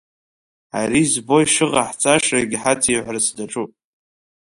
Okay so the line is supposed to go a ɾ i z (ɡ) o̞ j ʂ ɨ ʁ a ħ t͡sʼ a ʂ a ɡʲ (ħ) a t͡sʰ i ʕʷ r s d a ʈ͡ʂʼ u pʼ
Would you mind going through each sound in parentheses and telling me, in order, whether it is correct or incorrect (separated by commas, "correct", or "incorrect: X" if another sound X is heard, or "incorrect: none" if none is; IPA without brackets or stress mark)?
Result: incorrect: b, correct